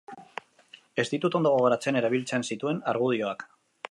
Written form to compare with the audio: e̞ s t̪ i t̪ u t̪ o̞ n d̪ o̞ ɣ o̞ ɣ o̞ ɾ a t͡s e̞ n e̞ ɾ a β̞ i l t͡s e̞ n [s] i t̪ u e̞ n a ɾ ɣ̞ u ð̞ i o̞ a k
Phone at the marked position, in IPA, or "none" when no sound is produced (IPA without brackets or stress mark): s